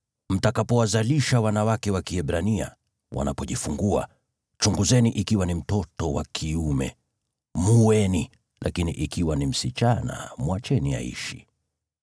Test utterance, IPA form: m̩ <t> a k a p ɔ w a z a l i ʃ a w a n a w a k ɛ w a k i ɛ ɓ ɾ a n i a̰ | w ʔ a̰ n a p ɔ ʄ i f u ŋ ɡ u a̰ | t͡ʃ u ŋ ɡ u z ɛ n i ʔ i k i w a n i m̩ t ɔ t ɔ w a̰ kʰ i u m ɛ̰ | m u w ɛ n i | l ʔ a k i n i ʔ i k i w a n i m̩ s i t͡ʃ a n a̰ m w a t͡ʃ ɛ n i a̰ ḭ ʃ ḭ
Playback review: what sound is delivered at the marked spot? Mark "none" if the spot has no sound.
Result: t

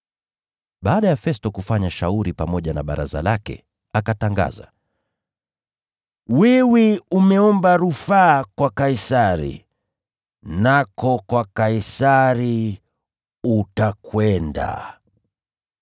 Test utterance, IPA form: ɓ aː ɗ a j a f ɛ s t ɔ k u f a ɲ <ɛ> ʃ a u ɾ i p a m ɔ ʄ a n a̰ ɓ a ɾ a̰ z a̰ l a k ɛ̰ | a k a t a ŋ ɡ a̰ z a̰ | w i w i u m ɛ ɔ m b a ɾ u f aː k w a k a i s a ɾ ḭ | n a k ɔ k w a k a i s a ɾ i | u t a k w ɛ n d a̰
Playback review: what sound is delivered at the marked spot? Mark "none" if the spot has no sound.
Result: a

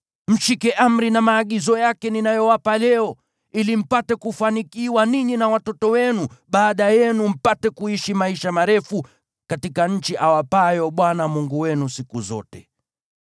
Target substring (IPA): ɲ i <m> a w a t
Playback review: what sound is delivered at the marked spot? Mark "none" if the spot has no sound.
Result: n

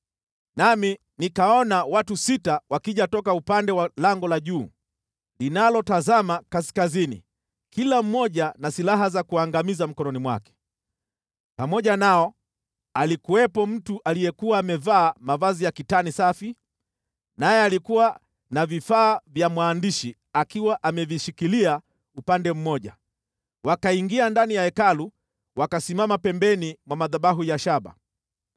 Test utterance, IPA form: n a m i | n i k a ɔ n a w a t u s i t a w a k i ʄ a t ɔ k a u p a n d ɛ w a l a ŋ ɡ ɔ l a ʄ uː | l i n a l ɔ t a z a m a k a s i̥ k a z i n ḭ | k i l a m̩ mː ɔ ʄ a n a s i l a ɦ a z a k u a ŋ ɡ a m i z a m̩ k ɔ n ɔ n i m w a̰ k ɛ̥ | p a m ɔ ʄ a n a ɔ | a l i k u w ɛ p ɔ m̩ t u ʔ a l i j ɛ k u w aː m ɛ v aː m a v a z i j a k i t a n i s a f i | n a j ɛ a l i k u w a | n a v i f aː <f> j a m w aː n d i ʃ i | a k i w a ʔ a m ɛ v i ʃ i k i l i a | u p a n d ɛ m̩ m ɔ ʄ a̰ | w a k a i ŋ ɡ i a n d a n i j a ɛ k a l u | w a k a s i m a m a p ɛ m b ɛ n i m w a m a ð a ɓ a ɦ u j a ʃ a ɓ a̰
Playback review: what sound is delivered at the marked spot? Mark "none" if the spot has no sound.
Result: v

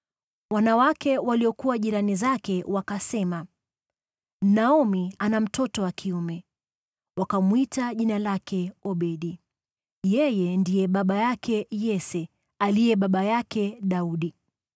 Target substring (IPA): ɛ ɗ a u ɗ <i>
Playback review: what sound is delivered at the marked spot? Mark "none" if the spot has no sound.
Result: i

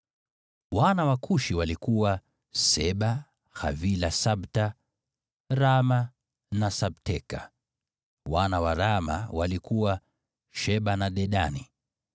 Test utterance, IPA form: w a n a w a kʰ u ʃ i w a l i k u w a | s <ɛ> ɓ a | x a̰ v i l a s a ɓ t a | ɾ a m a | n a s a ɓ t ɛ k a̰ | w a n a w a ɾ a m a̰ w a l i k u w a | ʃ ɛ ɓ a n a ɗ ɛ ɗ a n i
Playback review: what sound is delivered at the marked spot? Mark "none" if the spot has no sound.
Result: ɛ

